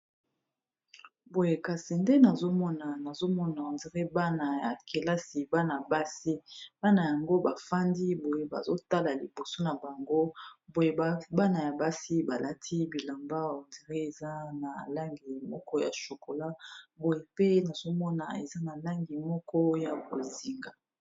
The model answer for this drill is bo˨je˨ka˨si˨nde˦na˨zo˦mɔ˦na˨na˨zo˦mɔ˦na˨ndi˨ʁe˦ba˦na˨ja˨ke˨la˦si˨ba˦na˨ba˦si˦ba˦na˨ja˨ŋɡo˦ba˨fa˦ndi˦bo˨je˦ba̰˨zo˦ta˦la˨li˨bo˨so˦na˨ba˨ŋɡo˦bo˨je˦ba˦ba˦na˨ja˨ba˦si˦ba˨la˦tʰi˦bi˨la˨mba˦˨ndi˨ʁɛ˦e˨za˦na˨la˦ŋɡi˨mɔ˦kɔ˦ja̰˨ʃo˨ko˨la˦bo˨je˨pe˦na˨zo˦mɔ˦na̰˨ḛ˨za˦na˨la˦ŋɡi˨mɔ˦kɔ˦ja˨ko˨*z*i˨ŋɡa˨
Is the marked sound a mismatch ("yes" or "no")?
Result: no